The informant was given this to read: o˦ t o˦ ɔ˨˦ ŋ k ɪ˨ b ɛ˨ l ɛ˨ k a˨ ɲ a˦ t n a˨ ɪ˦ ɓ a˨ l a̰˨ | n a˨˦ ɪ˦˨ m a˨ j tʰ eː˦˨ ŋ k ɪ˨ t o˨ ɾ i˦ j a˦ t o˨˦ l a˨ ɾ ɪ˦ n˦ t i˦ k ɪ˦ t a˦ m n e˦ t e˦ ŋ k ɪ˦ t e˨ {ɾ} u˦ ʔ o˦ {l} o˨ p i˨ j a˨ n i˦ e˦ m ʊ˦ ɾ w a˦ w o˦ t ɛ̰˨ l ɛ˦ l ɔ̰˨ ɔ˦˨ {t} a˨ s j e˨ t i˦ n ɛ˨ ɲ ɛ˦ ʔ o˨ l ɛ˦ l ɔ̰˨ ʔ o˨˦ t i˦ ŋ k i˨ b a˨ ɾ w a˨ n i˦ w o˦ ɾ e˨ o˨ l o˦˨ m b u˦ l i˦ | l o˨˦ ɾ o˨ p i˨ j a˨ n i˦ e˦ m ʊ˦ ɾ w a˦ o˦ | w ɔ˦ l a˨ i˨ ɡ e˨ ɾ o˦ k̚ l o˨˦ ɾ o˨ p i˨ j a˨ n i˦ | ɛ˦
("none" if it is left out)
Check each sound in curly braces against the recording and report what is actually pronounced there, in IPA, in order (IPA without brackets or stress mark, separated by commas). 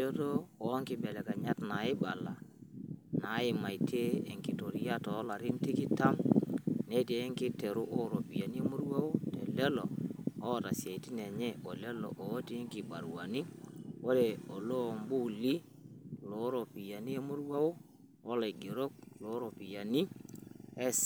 ɾ, ɾ, t